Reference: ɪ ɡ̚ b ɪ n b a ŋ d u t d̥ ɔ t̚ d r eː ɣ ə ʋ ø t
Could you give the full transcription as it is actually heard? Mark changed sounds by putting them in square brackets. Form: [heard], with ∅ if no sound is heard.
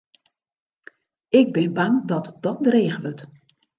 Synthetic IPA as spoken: ɪ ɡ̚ b ɪ n b a ŋ d [ɔ] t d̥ ɔ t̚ d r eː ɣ ə ʋ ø t